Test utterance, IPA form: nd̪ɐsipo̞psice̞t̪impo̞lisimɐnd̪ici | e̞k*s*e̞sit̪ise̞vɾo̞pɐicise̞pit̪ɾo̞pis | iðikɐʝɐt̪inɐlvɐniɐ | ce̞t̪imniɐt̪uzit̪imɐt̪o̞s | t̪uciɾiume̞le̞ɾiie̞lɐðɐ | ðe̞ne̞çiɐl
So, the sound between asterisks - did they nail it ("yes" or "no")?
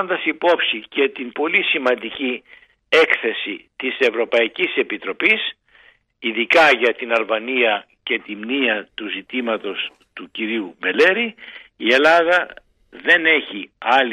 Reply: no